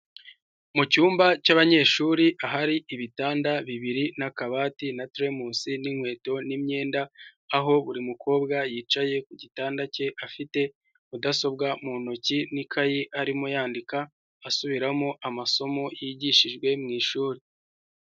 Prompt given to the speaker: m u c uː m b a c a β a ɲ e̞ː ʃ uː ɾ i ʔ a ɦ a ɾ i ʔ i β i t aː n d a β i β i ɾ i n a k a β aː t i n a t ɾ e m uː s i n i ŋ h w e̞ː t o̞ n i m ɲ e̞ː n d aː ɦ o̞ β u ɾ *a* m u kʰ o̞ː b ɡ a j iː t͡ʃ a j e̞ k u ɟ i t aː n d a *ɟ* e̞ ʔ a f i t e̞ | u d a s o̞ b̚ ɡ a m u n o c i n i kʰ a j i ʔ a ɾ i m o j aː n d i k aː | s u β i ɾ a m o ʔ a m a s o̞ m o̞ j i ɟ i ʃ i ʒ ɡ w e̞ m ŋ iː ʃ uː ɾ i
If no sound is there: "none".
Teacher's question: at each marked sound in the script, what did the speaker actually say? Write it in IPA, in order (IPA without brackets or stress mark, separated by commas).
i, c